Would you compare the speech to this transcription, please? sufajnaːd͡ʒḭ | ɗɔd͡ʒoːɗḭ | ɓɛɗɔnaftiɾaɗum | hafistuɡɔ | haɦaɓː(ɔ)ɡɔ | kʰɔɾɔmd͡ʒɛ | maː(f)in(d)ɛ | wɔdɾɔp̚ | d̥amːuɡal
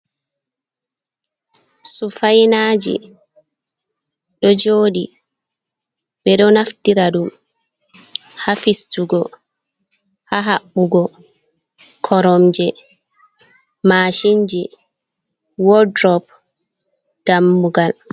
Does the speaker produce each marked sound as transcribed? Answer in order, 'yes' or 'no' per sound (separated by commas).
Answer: no, no, no